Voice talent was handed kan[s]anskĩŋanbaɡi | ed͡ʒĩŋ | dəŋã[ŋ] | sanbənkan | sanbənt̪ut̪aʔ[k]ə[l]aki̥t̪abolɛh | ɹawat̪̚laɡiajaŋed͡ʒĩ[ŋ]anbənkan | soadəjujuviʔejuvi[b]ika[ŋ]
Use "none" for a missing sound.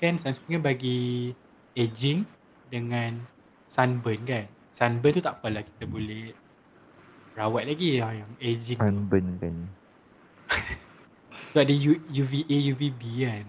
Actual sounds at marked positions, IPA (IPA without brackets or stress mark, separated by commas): s, n, p, l, ŋ, b, n